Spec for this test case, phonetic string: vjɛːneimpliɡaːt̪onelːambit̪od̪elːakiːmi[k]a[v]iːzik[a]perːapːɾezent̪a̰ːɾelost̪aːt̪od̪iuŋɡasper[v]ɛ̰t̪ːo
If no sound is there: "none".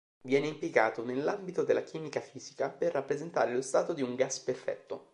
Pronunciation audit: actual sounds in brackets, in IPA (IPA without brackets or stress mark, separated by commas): k, f, a, f